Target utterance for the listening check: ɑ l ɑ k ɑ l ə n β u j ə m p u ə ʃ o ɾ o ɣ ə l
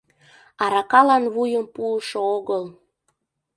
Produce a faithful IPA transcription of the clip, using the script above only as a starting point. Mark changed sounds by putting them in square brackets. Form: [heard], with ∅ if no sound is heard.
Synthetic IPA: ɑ [ɾ] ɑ k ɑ l [ɑ] n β u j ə m p u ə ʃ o [∅] o ɣ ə l